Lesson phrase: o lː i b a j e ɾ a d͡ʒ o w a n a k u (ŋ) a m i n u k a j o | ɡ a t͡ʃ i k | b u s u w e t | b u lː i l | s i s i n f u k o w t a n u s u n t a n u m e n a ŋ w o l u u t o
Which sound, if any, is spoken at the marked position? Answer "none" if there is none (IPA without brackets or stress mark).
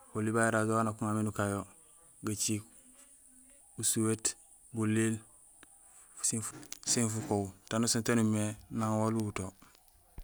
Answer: ŋ